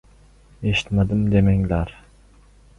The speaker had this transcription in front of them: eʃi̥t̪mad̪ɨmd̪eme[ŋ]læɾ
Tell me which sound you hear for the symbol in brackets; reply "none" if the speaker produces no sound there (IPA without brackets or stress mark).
ŋ